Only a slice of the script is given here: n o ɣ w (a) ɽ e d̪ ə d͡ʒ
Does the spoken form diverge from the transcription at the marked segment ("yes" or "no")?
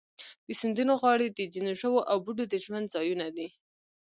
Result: yes